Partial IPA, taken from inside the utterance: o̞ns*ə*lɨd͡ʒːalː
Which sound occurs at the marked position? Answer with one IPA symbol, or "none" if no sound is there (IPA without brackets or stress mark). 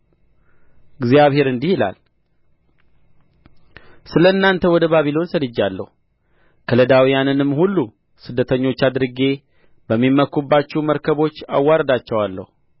ə